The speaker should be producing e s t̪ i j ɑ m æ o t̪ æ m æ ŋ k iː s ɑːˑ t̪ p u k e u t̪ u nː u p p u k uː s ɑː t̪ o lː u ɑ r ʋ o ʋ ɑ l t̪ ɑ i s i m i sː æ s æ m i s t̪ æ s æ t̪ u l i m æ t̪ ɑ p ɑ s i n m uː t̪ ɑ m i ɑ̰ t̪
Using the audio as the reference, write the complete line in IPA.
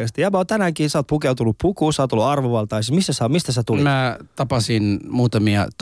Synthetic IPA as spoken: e s t̪ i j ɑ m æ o t̪ æ n æ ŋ k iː s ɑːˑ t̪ p u k e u t̪ u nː u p p u k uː s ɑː t̪ o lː u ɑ r ʋ o ʋ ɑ l t̪ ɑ i s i m i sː æ s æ m i s t̪ æ s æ t̪ u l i m æ t̪ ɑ p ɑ s i n m uː t̪ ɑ m i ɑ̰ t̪